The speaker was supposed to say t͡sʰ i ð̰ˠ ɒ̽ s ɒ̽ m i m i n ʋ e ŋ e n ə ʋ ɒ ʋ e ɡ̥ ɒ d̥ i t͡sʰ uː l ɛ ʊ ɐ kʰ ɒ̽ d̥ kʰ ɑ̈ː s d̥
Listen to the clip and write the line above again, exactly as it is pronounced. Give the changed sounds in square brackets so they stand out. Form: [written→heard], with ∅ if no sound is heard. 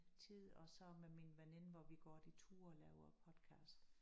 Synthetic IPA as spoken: t͡sʰ i ð̰ˠ ɒ̽ s ɒ̽ m [i→e] m i n ʋ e [ŋ→n] e n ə ʋ ɒ ʋ [e→i] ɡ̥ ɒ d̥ i t͡sʰ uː l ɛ ʊ ɐ [kʰ→pʰ] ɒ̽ d̥ kʰ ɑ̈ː s d̥

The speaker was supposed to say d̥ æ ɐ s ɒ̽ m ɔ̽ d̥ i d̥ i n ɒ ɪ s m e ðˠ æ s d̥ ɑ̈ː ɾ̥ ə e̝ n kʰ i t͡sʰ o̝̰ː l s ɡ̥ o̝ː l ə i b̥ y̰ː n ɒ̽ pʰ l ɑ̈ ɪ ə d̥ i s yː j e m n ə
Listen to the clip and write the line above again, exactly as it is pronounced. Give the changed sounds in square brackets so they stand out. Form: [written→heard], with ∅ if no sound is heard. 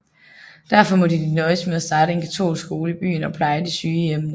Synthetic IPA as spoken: d̥ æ ɐ [s→f] ɒ̽ m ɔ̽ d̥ i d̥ i n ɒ ɪ s m e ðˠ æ s d̥ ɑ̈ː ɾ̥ ə e̝ n kʰ [i→æ] t͡sʰ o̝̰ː l s ɡ̥ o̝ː l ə i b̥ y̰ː n ɒ̽ pʰ l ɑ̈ ɪ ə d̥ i s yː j e m n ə

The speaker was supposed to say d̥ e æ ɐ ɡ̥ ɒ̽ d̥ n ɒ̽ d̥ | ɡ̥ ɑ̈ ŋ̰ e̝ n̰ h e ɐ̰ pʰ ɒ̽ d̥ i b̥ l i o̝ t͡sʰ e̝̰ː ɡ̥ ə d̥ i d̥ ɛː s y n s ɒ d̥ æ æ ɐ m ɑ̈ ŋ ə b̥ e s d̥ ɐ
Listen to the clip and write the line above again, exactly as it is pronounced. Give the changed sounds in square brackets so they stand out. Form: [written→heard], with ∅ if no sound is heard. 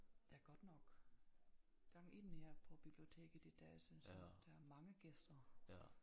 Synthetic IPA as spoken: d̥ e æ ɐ ɡ̥ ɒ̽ d̥ n ɒ̽ [d̥→ɡ̥] | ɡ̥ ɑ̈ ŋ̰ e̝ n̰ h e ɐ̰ pʰ ɒ̽ [d̥→b̥] i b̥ l i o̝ t͡sʰ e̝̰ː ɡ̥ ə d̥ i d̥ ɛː s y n s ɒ d̥ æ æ ɐ m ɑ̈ ŋ ə [b̥→ɡ̥] e s d̥ ɐ

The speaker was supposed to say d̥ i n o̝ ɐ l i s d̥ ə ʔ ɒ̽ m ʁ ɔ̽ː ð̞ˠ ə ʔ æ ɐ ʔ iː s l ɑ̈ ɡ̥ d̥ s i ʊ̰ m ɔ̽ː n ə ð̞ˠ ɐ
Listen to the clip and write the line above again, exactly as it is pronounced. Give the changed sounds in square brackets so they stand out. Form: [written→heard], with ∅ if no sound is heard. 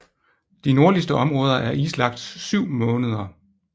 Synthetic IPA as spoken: d̥ i n o̝ ɐ l i s d̥ ə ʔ ɒ̽ m ʁ ɔ̽ː ð̞ˠ [ə→ɐ] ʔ æ ɐ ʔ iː s l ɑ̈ ɡ̥ d̥ s [i→y] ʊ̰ m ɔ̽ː n ə ð̞ˠ ɐ

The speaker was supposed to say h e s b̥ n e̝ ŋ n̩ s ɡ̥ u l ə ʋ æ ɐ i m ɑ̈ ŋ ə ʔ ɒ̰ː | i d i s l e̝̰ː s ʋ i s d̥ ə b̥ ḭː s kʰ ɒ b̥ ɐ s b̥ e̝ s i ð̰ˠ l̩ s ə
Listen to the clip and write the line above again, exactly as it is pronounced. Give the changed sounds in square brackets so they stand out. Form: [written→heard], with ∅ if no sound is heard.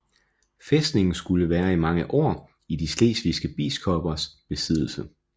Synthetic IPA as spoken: [h→f] e s [b̥→d̥] n e̝ ŋ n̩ s ɡ̥ u l ə ʋ [æ→æː] ɐ i m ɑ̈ ŋ ə ʔ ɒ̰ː | i d i s l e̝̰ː s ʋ i s [d̥→ɡ̥] ə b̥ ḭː s kʰ ɒ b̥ ɐ s b̥ e̝ s i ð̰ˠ l̩ s ə

